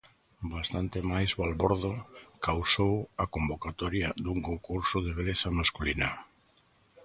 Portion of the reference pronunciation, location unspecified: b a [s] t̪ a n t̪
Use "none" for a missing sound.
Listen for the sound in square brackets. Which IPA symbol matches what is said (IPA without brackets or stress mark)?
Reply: s